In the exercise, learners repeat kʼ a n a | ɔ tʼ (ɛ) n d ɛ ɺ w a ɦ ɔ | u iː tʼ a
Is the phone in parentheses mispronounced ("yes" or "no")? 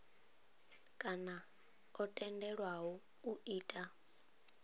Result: no